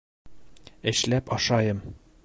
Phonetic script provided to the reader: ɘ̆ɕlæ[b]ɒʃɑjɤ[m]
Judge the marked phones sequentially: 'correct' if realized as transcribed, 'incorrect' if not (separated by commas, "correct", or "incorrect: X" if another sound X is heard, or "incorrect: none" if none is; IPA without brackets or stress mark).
incorrect: p, correct